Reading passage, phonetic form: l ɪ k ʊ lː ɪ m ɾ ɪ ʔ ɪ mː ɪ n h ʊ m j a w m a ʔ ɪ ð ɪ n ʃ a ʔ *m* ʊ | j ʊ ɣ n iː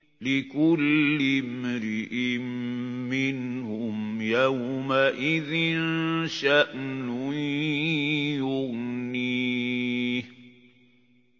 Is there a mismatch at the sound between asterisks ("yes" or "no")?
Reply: yes